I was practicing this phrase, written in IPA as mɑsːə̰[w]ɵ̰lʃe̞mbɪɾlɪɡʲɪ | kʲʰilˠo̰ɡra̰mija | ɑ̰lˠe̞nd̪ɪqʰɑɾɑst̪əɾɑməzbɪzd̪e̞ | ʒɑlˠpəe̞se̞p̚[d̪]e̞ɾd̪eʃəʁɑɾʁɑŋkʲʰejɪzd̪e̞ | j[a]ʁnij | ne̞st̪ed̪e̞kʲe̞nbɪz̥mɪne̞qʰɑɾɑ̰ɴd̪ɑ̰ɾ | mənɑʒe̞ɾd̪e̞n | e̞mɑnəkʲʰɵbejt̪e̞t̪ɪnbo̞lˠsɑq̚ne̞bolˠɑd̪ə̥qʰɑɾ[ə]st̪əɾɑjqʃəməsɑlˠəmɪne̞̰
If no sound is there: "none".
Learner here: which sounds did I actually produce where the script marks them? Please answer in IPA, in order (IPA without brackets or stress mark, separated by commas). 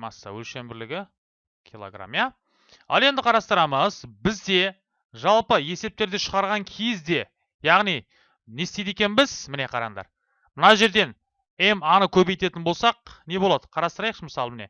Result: w, t̪, ɑ, ɑ